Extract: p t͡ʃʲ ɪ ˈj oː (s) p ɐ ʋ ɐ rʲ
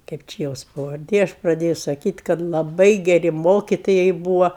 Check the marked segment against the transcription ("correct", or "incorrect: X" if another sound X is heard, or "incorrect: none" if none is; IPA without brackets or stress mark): correct